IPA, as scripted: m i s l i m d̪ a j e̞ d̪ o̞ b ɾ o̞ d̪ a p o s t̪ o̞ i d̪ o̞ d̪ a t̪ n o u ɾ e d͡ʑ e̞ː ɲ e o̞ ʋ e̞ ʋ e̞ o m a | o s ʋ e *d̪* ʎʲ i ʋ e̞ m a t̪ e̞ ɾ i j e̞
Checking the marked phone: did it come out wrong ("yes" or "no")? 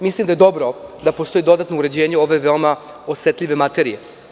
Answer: yes